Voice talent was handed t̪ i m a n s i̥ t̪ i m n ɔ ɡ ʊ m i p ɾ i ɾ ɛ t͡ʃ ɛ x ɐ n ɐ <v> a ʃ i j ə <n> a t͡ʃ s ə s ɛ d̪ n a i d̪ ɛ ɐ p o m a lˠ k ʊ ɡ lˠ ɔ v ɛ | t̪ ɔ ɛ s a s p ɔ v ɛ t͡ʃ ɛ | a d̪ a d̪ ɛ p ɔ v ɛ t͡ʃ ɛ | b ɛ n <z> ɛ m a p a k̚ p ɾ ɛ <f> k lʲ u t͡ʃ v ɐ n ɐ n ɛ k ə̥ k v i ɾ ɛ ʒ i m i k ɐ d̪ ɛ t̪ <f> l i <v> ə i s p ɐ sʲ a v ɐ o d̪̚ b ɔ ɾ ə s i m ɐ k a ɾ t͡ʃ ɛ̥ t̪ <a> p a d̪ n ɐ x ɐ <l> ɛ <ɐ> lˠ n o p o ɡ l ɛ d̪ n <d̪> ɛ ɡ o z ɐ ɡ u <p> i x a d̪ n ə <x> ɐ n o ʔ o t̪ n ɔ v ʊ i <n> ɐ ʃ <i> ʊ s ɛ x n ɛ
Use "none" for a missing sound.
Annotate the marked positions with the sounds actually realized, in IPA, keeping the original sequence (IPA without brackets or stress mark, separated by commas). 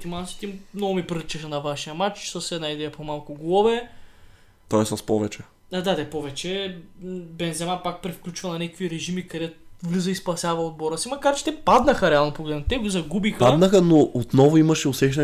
v, m, z, f, v, z, ɛ, ɾ, a, t̪, b, x, m, ɛ